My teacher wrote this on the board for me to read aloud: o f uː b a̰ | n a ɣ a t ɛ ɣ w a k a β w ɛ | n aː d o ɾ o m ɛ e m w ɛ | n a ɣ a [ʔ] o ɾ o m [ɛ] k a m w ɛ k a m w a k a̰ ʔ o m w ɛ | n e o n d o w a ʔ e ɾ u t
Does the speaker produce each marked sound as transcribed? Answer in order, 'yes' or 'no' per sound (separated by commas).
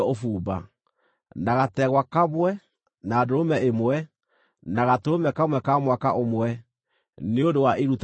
no, yes